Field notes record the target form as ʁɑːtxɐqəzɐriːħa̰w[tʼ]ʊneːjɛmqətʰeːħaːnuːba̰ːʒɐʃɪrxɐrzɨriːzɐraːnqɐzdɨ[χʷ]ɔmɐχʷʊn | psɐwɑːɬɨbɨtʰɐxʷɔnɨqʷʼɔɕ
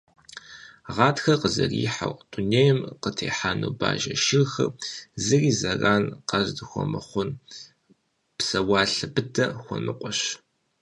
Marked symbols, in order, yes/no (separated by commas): yes, no